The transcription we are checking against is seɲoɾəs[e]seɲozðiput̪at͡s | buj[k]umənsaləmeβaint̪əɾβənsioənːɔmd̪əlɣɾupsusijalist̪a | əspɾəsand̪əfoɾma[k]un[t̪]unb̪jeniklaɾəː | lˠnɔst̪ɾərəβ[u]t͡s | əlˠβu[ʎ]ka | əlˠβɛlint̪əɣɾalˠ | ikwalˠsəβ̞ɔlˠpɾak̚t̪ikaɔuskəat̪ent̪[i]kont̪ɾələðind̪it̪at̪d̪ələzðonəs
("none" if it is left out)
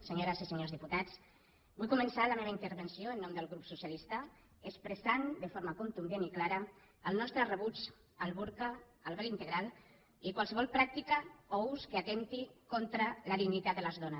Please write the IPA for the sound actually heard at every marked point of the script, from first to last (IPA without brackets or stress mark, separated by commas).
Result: i, k, k, t̪, u, ɾ, i